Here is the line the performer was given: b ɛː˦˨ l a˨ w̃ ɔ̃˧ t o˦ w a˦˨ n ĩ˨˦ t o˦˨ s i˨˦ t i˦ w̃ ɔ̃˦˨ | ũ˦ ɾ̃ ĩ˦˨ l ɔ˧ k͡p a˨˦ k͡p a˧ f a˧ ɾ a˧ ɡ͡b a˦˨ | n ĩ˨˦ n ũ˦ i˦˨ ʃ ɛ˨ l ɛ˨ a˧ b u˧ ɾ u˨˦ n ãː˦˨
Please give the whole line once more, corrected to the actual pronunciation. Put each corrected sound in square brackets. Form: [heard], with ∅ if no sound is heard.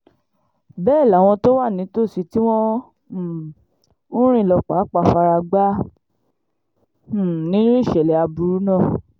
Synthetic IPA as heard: b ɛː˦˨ l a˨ w̃ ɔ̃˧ t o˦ w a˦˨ n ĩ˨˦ t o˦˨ s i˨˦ t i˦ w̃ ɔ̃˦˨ | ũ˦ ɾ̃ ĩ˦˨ l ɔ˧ k͡p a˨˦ k͡p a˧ f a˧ ɾ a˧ ɡ͡b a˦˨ | n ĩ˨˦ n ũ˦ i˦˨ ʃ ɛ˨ l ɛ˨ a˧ b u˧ ɾ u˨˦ n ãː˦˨